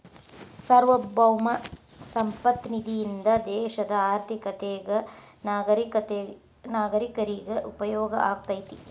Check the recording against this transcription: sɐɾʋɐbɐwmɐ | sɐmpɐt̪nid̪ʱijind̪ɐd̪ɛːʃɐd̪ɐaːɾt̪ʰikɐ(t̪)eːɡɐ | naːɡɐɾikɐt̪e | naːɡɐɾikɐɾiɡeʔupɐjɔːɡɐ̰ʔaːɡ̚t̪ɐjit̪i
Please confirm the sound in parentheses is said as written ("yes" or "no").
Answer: yes